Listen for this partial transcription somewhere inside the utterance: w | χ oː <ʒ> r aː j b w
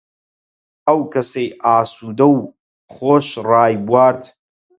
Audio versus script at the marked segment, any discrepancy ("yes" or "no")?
yes